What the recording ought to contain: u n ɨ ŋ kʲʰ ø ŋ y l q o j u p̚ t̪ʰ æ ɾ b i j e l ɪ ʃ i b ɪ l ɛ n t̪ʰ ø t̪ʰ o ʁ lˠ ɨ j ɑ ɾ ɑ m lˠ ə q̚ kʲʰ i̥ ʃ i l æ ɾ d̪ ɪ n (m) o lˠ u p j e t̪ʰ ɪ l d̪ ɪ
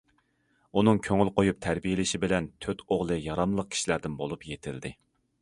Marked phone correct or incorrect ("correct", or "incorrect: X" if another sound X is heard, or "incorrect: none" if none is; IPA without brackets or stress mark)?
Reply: incorrect: b